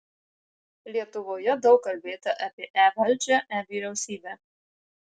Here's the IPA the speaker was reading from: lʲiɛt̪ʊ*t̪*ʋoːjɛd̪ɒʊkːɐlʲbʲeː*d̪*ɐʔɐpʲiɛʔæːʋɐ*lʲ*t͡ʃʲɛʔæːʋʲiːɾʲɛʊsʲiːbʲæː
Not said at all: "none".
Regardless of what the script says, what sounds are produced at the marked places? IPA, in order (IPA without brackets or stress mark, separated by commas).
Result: none, t̪, lʲ